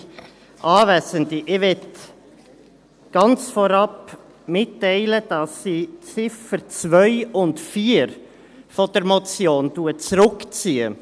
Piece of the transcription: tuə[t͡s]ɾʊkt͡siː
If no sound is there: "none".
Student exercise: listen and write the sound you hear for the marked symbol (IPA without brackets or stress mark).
t͡s